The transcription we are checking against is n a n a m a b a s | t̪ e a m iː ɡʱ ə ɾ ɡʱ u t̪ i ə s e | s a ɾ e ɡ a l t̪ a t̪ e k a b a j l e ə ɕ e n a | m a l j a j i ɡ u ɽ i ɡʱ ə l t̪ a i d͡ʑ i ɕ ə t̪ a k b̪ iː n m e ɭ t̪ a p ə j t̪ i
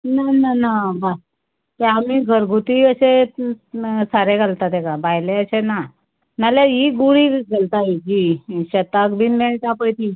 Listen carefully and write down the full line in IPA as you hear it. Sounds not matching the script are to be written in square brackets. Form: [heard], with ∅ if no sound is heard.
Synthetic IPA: n a n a [n] a b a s | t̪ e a m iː ɡʱ ə ɾ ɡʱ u t̪ i ə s e | s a ɾ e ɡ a l t̪ a t̪ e k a b a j l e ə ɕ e n a | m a l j a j i ɡ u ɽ i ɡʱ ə l t̪ a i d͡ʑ i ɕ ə t̪ a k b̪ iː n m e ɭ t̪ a p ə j t̪ i

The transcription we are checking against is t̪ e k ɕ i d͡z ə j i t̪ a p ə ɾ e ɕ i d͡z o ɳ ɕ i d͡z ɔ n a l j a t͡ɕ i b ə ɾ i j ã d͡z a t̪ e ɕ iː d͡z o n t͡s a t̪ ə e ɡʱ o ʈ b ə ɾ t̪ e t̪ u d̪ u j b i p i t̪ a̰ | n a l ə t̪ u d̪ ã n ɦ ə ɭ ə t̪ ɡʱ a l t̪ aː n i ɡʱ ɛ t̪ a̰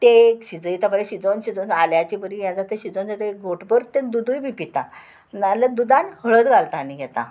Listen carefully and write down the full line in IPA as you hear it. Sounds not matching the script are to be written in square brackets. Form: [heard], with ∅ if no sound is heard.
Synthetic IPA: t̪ e k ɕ i d͡z ə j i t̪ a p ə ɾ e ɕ i d͡z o [n] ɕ i d͡z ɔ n a l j a t͡ɕ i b ə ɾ i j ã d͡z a t̪ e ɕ [i] d͡z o n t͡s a t̪ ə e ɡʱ o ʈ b ə ɾ t̪ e [d̪] u d̪ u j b i p i t̪ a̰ | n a l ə [d̪] u d̪ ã n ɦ ə ɭ ə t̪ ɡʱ a l t̪ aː n i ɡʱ ɛ t̪ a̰

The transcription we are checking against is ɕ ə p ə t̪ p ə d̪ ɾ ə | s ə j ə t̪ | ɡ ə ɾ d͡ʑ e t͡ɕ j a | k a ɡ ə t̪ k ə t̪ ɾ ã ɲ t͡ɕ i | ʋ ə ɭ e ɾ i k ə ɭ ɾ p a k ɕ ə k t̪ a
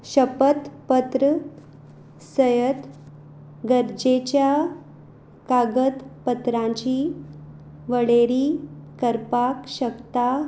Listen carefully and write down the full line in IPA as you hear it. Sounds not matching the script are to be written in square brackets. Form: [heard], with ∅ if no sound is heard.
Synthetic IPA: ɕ ə p ə t̪ p ə [t̪] ɾ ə | s ə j ə t̪ | ɡ ə ɾ d͡ʑ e t͡ɕ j a | k a ɡ ə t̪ [p] ə t̪ ɾ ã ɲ t͡ɕ i | ʋ ə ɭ e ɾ i k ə [∅] ɾ p a k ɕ ə k t̪ a

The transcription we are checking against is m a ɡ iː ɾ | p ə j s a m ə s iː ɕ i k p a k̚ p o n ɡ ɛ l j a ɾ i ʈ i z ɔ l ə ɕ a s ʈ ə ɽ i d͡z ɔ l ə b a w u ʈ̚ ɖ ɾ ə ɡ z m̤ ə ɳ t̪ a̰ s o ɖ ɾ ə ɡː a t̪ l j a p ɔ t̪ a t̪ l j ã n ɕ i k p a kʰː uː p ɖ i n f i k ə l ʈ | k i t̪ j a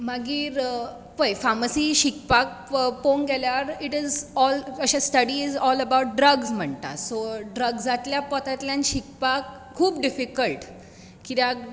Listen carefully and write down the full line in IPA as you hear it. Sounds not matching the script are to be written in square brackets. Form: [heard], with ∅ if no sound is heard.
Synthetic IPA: m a ɡ iː ɾ | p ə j [f] a m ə s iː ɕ i k p a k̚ p o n ɡ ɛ l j a ɾ i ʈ i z ɔ l ə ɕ a s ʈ ə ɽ i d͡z ɔ l ə b a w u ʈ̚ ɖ ɾ ə ɡ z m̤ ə ɳ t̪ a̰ s o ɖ ɾ ə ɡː a t̪ l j a p ɔ t̪ a t̪ l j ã n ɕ i k p a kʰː uː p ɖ i [∅] f i k ə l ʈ | k i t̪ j a

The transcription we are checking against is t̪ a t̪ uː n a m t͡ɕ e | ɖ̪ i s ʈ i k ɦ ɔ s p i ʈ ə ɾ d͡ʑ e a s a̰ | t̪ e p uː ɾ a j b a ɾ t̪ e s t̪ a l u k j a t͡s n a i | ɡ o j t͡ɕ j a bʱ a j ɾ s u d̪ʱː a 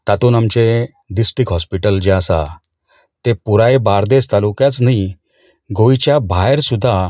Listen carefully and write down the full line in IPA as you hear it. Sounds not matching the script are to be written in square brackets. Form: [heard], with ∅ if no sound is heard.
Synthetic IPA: t̪ a t̪ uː n a m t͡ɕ e | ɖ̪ i s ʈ i k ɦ ɔ s p i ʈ ə [l] d͡ʑ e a s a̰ | t̪ e p [u] ɾ a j b a ɾ [d̪] e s t̪ a l u k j a t͡s n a i | ɡ o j t͡ɕ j a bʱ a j ɾ s u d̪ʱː a

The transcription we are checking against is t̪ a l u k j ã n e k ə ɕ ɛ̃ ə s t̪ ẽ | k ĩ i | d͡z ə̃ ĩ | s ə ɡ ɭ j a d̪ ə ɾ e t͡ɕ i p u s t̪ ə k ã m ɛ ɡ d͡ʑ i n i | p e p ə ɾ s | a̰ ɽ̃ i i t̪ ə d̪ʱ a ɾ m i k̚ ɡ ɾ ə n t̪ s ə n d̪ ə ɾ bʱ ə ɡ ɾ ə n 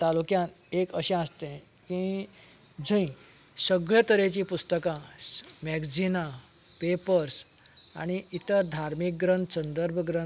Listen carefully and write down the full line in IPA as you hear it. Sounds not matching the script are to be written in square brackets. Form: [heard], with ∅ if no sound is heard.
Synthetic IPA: t̪ a l u k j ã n e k ə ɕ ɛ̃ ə s t̪ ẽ | k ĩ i | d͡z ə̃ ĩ | s ə ɡ ɭ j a [t̪] ə ɾ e t͡ɕ i p u s t̪ ə k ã m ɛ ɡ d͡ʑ i n [a] | p e p ə ɾ s | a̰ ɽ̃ i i t̪ ə d̪ʱ a ɾ m i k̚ ɡ ɾ ə n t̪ s ə n d̪ ə ɾ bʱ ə ɡ ɾ ə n

